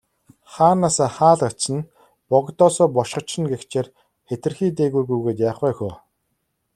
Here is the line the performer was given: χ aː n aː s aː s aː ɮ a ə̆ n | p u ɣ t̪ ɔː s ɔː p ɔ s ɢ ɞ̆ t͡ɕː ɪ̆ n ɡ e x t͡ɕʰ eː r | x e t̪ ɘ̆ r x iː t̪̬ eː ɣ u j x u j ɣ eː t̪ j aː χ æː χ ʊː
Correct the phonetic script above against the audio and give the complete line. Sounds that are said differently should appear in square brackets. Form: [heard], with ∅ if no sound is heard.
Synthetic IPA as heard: χ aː n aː s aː [χ] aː ɮ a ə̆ n | p [ɔ] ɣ t̪ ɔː s ɔː p ɔ [ʃ] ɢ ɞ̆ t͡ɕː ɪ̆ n ɡ e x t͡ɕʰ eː r | x e t̪ ɘ̆ r x iː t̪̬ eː ɣ u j [ɣ] u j ɣ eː t̪ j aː χ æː [x] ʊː